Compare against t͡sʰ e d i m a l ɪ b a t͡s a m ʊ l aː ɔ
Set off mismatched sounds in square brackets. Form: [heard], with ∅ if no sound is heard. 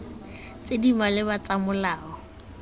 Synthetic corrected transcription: [t͡s] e d i m a l ɪ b a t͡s a m ʊ l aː ɔ